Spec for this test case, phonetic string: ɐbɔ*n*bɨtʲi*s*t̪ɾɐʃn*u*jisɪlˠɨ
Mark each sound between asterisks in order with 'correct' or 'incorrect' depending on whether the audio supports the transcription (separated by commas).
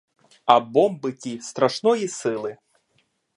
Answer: incorrect, correct, incorrect